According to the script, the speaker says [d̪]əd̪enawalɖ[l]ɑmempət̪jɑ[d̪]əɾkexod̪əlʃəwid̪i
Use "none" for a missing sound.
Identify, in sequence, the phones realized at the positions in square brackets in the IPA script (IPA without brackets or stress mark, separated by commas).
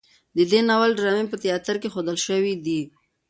d̪, ɾ, t̪